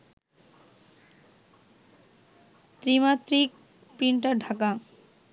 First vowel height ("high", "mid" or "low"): high